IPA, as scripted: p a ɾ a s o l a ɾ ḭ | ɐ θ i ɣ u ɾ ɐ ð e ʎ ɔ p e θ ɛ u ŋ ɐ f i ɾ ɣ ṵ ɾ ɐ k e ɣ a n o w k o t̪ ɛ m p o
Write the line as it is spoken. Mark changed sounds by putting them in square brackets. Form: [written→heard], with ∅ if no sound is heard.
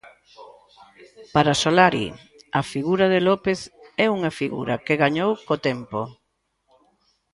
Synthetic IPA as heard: p a ɾ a s o l a ɾ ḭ | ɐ [θ→f] i ɣ u ɾ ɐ ð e [ʎ→l] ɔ p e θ ɛ u ŋ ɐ f i [ɾ→∅] ɣ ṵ ɾ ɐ k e ɣ a [n→ɲ] o w k o t̪ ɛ m p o